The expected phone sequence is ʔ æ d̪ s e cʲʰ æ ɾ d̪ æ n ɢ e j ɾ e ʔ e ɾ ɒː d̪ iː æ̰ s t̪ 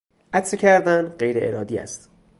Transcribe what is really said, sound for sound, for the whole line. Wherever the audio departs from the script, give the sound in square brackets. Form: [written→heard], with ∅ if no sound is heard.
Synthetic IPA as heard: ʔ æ [d̪→t̪] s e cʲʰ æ ɾ d̪ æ n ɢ e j ɾ e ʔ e ɾ ɒː d̪ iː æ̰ s t̪